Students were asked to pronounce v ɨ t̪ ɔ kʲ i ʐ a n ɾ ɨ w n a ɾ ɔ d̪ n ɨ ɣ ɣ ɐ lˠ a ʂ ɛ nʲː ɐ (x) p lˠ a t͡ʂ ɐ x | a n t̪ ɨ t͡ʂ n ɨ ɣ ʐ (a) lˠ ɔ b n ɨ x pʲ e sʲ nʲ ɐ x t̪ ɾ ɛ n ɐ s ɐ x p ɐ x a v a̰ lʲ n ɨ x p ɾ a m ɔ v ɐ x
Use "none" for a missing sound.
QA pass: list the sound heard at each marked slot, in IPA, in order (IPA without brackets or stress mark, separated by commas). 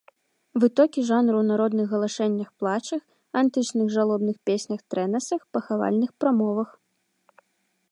x, a